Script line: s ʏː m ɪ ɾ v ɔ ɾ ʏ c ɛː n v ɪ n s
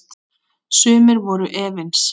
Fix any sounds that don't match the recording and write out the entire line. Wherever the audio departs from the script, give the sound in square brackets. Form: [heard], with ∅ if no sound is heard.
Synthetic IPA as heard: s ʏː m ɪ ɾ v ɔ ɾ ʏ [ʔ] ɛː [∅] v ɪ n s